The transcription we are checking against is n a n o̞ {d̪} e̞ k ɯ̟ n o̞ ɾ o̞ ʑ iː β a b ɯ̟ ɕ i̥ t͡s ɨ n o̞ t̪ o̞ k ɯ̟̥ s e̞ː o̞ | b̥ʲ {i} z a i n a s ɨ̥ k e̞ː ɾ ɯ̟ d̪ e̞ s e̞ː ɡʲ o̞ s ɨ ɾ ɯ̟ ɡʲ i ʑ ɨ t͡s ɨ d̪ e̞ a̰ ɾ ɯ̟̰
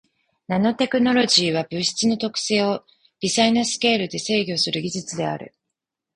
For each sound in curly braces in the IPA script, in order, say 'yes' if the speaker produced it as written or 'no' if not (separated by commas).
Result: no, yes